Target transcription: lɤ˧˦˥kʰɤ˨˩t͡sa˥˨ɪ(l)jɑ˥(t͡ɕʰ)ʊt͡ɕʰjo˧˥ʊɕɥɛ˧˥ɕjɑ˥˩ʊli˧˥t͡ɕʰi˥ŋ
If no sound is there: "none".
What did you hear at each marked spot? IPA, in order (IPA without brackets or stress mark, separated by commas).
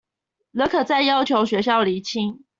none, none